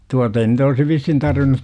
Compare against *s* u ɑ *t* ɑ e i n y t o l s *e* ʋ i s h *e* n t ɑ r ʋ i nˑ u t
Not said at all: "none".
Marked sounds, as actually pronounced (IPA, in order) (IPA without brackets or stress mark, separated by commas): t, t, i, i